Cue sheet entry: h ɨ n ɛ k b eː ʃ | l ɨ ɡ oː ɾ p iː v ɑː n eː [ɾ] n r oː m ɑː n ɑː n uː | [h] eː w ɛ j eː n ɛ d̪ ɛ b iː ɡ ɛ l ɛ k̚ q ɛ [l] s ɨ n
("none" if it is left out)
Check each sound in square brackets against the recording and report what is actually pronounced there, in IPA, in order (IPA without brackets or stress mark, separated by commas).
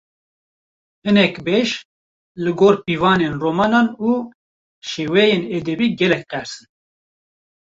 none, ʃ, ɾ